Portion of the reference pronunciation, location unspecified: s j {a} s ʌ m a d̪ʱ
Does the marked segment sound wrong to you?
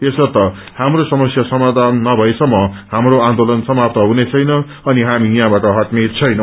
no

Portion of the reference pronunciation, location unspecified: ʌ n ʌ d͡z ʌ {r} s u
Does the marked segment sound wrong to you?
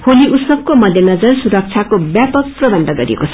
no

